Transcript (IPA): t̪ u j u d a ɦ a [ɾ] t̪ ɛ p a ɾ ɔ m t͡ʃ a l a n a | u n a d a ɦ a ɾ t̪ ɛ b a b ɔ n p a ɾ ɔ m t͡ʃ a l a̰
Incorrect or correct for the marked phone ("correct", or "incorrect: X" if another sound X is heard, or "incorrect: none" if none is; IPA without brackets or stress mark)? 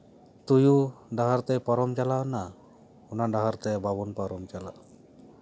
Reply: correct